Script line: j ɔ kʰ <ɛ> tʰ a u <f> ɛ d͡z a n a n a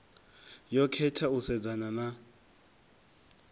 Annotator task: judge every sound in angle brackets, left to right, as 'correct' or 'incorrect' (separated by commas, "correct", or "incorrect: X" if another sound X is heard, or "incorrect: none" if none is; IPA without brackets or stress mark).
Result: correct, incorrect: s